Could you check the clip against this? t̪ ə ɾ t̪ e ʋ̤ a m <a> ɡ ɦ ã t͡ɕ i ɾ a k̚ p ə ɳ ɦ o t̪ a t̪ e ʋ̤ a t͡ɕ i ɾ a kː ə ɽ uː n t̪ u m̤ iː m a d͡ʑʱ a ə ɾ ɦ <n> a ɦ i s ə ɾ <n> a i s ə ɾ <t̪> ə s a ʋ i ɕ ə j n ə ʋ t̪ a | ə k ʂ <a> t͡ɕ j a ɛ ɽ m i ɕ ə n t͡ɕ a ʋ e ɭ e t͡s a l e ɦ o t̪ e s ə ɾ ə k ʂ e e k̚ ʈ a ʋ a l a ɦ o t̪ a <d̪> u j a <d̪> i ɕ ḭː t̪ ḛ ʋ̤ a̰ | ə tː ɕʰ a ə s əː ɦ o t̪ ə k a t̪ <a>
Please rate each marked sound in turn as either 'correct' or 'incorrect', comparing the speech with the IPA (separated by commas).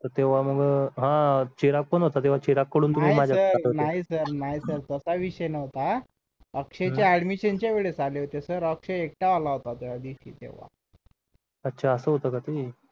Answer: incorrect, correct, correct, correct, incorrect, incorrect, correct, incorrect